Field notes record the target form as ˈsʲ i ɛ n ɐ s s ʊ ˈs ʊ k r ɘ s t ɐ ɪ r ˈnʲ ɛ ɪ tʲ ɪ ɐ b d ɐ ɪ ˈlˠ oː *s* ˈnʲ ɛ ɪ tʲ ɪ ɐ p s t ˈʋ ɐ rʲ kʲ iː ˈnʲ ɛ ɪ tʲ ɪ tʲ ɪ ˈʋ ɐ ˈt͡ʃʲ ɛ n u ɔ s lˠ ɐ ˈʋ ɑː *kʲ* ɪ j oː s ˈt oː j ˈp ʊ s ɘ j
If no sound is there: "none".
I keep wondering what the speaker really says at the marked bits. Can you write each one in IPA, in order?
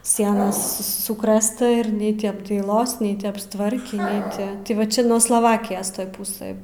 s, kʲ

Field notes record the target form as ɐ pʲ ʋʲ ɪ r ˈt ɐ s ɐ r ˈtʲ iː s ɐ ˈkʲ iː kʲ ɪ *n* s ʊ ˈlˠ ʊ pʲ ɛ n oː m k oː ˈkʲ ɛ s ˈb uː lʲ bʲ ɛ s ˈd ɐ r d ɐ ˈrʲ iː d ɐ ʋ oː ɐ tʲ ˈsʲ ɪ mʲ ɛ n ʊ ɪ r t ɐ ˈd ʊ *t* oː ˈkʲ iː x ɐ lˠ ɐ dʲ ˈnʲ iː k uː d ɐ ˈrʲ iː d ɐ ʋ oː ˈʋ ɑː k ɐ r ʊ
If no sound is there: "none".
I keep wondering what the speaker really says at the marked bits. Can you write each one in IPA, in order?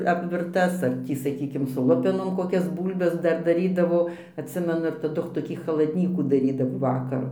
m, t

